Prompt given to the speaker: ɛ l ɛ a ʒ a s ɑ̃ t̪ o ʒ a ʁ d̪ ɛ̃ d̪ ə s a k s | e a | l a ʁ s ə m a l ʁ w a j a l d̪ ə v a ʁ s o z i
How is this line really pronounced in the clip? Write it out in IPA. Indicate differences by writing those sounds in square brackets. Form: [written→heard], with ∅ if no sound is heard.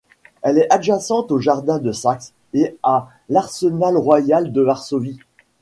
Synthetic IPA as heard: ɛ l ɛ a ʒ a s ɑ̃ t̪ o ʒ a ʁ d̪ ɛ̃ d̪ ə s a k s | e a | l a ʁ s ə [m→n] a l ʁ w a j a l d̪ ə v a ʁ s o [z→v] i